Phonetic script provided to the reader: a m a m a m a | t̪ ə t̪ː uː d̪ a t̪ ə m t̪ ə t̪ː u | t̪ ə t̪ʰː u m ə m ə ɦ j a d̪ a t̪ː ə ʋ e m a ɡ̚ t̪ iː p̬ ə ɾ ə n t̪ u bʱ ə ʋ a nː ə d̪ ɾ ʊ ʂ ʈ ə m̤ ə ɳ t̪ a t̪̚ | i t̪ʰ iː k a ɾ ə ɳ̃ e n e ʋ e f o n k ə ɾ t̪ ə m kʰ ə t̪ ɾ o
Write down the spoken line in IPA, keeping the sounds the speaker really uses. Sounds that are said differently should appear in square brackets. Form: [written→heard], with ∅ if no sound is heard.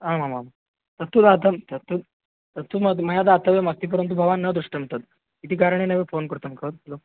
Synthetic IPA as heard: a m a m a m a | t̪ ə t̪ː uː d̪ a t̪ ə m t̪ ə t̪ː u | t̪ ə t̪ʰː u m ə m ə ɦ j a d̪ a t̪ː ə ʋ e m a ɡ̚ t̪ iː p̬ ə ɾ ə n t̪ u bʱ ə ʋ a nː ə d̪ ɾ [ʊ→u] ʂ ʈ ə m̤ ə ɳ t̪ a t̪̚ | i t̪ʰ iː k a ɾ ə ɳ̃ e n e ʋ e f o n k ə ɾ t̪ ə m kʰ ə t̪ [ɾ→l] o